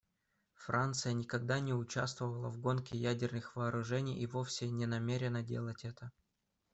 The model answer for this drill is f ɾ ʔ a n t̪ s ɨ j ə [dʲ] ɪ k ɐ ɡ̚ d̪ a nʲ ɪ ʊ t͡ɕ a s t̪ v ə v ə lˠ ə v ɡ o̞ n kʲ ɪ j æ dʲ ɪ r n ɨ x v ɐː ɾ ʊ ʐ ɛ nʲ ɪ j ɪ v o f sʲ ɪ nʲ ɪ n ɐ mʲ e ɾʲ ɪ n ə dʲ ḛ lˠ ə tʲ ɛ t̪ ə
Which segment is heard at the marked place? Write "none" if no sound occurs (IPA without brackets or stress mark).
nʲ